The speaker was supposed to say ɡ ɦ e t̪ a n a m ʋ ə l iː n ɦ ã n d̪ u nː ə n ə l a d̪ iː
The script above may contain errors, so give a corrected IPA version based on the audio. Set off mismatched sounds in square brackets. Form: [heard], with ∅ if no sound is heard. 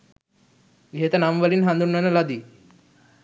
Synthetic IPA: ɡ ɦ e t̪ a n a m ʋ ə l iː n ɦ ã n d̪ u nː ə n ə l a d̪ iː